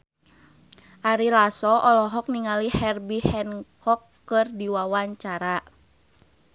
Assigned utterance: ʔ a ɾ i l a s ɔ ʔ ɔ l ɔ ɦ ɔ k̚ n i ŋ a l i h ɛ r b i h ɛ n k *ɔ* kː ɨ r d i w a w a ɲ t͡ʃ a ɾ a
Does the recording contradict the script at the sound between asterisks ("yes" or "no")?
no